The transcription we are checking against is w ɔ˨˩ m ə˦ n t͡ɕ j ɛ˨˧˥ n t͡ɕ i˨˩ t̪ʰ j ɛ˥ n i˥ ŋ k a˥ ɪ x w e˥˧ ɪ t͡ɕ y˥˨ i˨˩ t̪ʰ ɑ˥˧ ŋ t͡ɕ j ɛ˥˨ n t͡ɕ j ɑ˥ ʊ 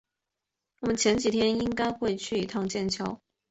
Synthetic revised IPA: w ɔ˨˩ m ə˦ n t͡ɕʰ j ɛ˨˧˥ n t͡ɕ i˨˩ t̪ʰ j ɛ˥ n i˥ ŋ k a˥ ɪ x w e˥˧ ɪ t͡ɕʰ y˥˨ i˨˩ t̪ʰ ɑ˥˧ ŋ t͡ɕ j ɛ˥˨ n t͡ɕʰ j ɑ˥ ʊ